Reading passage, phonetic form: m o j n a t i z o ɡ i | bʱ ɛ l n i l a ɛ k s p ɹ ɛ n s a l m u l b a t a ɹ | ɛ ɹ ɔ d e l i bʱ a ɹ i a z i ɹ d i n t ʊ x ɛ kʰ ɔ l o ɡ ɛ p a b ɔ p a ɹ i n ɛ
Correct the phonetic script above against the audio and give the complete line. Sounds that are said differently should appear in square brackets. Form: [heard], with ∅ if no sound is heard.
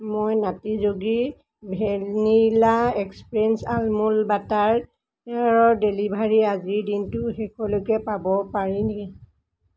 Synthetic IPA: m o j n a t i z o ɡ i | bʱ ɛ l n i l a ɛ k s p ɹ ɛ n s a l m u l b a t a ɹ | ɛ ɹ ɔ d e l i bʱ a ɹ i a z i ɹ d i n t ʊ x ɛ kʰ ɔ l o [k] ɛ p a b ɔ p a ɹ i n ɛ

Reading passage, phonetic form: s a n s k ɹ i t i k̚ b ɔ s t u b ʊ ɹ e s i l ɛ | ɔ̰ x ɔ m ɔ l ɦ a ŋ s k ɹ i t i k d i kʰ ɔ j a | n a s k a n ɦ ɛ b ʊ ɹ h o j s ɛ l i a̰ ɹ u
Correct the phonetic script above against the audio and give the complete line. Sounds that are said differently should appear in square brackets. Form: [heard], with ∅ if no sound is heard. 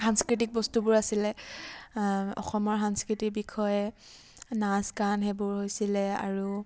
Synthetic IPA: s a n s k ɹ i t i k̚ b ɔ s t u b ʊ ɹ [a] s i l ɛ | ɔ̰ x ɔ m ɔ [ɹ] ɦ a [n] s k ɹ i t i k [b] i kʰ ɔ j [ɛ] | n a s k a n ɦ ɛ b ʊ ɹ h o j s [i] l [ɛ] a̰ ɹ u

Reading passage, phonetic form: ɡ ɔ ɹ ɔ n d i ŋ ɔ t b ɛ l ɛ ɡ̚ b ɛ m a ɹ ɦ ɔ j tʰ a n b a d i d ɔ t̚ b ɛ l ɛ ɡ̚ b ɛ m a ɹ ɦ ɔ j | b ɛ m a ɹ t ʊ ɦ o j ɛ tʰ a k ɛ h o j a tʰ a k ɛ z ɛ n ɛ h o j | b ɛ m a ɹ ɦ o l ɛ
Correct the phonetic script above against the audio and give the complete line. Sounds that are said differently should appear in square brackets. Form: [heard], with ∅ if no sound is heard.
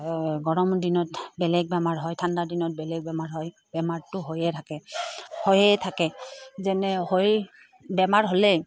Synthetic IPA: ɡ ɔ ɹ ɔ [m] d i [n] ɔ t b ɛ l ɛ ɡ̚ b ɛ m a ɹ ɦ ɔ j tʰ a n [d] a d i [n] ɔ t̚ b ɛ l ɛ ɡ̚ b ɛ m a ɹ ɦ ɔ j | b ɛ m a ɹ t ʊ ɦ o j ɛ tʰ a k ɛ h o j [ɛ] tʰ a k ɛ z ɛ n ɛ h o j | b ɛ m a ɹ ɦ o l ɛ

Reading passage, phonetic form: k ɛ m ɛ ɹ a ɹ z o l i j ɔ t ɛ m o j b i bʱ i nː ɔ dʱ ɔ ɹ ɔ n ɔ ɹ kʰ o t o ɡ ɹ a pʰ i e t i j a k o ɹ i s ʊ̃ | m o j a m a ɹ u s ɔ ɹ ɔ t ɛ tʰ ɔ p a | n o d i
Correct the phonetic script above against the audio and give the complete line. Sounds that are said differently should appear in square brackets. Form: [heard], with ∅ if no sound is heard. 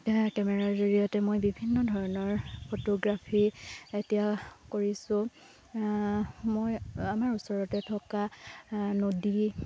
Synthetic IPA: k ɛ m ɛ ɹ a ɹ z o [ɹ] i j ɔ t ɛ m o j b i bʱ i nː ɔ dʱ ɔ ɹ ɔ n ɔ ɹ [pʰ] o t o ɡ ɹ a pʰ i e t i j a k o ɹ i s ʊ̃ | m o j a m a ɹ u s ɔ ɹ ɔ t ɛ tʰ ɔ [k] a | n o d i

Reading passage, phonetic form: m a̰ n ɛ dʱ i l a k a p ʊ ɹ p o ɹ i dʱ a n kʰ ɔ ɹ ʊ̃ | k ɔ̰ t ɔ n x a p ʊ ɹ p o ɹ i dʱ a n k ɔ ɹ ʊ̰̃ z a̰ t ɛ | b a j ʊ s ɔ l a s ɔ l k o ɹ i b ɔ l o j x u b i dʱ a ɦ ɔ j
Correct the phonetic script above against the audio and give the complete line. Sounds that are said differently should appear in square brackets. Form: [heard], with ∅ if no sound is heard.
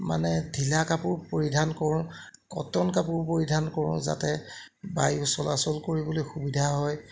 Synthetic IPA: m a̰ n ɛ dʱ i l a k a p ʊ ɹ p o ɹ i dʱ a n [k] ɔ ɹ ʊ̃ | k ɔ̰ t ɔ n [k] a p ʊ ɹ p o ɹ i dʱ a n k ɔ ɹ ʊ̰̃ z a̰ t ɛ | b a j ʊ s ɔ l a s ɔ l k o ɹ i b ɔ l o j x u b i dʱ a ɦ ɔ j

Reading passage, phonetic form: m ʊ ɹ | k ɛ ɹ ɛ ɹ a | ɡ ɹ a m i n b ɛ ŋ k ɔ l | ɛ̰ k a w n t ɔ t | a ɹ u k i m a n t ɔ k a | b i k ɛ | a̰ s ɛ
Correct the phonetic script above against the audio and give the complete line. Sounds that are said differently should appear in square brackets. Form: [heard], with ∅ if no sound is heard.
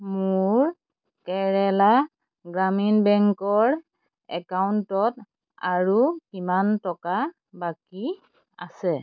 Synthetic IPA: m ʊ ɹ | k ɛ ɹ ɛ [l] a | ɡ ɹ a m i n b ɛ ŋ k ɔ [ɹ] | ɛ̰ k a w n t ɔ t | a ɹ u k i m a n t ɔ k a | b [a] k [i] | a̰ s ɛ

